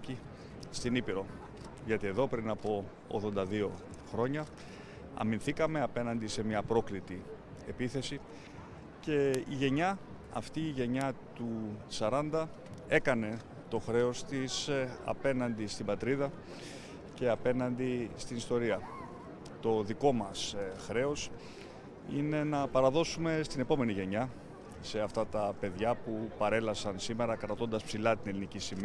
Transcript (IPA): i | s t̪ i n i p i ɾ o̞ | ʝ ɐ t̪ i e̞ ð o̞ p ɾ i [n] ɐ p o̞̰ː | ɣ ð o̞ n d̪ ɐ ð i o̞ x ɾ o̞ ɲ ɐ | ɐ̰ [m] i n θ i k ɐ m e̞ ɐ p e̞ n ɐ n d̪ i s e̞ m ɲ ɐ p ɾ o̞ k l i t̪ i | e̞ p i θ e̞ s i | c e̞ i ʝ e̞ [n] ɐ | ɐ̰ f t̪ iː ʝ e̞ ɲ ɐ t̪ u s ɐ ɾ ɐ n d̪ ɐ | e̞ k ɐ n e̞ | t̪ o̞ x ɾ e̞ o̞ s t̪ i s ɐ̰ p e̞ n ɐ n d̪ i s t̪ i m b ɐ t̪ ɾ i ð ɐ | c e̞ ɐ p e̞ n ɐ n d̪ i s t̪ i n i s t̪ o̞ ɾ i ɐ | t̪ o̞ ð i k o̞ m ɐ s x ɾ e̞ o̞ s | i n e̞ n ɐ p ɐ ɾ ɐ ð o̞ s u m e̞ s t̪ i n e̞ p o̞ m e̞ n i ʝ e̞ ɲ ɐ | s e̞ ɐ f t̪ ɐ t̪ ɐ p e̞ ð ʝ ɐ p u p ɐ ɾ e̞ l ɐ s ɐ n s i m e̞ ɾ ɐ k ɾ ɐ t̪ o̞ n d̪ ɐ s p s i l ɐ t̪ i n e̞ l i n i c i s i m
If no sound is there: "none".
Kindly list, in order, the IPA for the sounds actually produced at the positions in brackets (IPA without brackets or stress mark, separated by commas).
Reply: n, m, ɲ